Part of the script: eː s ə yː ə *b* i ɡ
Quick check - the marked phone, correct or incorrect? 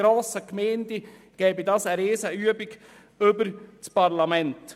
correct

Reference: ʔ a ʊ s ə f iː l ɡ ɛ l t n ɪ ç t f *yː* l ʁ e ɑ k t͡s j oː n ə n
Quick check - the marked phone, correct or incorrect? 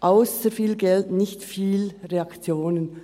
incorrect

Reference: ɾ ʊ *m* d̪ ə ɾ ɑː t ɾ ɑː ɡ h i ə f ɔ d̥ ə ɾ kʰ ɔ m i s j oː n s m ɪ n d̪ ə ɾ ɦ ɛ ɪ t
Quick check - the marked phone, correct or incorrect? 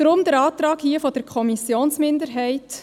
correct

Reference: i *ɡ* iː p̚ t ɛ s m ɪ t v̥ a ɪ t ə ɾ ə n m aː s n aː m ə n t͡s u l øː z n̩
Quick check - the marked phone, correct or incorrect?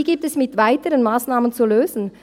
correct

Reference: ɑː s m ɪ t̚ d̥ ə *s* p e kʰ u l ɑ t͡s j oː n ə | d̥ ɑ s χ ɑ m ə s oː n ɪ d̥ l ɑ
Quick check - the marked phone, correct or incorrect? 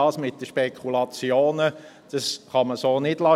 incorrect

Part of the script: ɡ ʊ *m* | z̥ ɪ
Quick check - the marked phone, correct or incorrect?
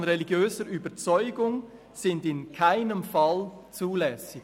incorrect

